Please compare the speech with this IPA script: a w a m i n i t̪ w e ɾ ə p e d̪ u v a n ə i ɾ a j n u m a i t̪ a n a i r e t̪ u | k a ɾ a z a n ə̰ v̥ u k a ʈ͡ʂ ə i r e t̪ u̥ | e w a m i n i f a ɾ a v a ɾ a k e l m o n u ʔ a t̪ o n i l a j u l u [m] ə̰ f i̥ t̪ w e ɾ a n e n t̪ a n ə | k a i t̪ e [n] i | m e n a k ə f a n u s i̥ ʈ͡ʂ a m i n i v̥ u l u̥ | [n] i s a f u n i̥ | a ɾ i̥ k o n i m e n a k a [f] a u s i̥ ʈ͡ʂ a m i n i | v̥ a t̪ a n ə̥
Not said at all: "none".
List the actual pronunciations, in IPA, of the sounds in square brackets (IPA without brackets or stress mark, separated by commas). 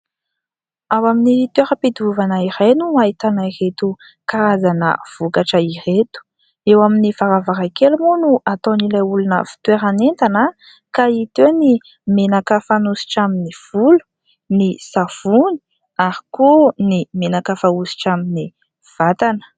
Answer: n, n, n, f